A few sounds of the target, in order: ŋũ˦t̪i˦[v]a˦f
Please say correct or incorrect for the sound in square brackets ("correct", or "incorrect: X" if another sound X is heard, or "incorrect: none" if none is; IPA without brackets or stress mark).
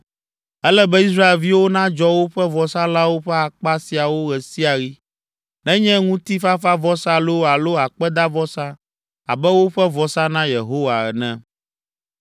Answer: incorrect: f